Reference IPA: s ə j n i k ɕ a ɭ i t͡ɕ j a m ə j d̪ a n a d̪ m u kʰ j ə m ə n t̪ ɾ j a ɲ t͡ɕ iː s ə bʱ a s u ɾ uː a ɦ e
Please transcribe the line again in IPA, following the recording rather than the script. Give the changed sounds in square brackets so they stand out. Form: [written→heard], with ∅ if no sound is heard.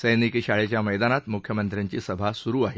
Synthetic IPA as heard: s ə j n i k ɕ a ɭ [i→e] t͡ɕ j a m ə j d̪ a n a [d̪→t̪] m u kʰ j ə m ə n t̪ ɾ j a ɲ t͡ɕ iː s ə bʱ a s u ɾ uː a ɦ e